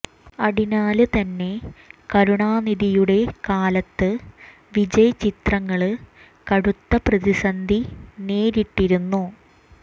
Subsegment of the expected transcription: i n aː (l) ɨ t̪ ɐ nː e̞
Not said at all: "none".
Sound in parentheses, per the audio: l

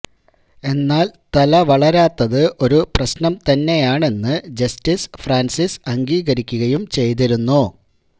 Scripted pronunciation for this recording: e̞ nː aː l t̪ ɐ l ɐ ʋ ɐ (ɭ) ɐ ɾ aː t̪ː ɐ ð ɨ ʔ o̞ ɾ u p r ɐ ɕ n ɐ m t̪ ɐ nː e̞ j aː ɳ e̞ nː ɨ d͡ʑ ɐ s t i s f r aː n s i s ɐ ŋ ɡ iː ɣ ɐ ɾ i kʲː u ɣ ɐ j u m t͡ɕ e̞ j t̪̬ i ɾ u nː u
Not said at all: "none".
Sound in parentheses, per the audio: ɭ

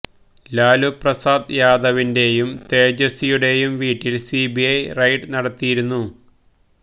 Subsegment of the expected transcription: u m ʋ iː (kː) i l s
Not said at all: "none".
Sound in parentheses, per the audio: ʈː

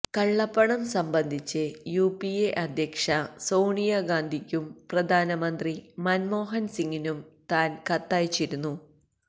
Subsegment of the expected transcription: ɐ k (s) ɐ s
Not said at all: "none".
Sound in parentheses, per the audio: ʂ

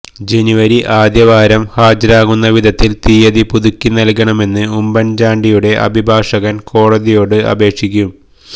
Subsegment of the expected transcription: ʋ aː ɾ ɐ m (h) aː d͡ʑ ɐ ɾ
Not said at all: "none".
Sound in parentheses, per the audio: h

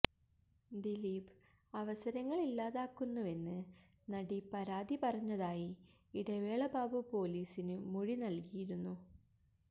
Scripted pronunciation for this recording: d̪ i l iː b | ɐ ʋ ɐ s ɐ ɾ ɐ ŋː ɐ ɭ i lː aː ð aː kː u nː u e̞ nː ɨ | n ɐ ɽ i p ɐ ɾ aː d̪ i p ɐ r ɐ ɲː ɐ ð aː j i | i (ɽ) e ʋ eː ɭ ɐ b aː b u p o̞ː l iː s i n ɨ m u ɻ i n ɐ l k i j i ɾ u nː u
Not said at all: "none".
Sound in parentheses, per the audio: ɽ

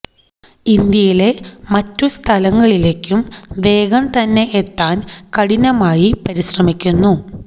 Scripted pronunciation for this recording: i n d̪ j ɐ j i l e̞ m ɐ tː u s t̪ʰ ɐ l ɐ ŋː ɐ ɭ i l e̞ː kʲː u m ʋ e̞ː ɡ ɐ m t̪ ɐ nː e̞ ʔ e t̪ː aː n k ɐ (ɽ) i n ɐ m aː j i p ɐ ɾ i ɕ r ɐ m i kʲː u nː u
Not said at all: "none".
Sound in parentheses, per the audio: ɽ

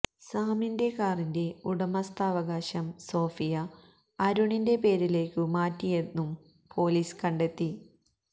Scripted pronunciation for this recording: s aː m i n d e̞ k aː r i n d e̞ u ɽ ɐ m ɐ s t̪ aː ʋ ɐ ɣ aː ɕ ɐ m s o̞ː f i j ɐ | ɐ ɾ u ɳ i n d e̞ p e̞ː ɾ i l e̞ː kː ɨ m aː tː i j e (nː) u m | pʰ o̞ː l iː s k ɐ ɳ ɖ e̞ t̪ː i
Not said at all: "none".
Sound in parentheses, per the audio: nː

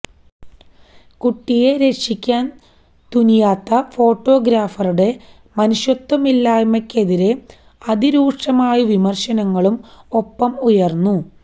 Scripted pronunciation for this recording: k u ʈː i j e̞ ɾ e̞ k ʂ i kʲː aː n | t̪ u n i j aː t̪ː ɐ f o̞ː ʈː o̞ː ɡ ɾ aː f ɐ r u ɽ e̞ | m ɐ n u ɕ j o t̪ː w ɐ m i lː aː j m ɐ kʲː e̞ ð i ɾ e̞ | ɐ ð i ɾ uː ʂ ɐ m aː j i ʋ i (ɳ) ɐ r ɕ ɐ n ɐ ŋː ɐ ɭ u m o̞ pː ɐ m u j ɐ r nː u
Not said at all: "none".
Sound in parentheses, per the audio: m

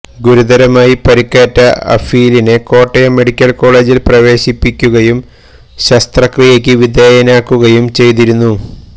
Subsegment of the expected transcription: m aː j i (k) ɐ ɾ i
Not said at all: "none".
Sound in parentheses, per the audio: p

